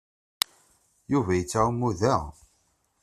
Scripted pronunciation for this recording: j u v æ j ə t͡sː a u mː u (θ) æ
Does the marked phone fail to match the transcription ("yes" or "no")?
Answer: yes